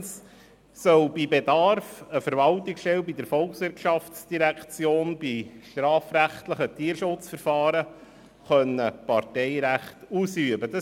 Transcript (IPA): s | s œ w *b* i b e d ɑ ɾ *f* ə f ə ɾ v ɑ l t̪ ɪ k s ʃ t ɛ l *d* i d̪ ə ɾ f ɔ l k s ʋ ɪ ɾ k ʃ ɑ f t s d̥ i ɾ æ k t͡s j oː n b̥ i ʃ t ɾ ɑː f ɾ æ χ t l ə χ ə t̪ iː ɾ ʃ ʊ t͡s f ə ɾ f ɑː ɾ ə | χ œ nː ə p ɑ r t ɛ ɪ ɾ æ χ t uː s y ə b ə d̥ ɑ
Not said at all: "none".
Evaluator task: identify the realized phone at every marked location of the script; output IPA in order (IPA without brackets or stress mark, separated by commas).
b, f, b